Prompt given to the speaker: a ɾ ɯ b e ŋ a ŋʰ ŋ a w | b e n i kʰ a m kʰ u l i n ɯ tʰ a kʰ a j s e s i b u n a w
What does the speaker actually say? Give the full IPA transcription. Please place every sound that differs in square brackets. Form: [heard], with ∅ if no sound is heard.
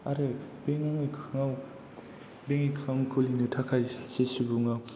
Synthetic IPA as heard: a ɾ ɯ b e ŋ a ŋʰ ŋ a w | b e [ŋ] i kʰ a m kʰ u l i n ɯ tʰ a kʰ a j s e s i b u [ŋ] a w